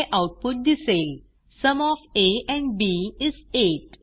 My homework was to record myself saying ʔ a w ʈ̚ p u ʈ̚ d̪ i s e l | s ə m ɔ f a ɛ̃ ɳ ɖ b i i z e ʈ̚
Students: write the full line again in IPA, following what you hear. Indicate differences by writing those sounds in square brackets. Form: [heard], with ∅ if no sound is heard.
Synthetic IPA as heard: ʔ a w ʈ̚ p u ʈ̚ d̪ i s e l | s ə m ɔ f [e] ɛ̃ ɳ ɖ b i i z e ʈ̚